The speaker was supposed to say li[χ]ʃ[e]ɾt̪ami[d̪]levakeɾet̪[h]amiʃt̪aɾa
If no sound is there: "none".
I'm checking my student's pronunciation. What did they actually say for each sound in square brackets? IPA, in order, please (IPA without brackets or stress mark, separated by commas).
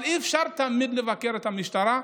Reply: f, a, d̪, h